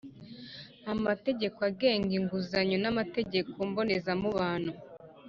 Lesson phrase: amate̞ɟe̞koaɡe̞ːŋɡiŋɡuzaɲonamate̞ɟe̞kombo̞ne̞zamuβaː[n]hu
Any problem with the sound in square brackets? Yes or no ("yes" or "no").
no